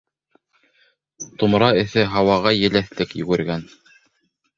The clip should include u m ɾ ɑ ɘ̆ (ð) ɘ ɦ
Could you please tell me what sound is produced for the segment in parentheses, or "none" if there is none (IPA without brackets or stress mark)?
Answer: θ